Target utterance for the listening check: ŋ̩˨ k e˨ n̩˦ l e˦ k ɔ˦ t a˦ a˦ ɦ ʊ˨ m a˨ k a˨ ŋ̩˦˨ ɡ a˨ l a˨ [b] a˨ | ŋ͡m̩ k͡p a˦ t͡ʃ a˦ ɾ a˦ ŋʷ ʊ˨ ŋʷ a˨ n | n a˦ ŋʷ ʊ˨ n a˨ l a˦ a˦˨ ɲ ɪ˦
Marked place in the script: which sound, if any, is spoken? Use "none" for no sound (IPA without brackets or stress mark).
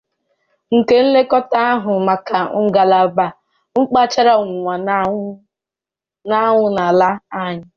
b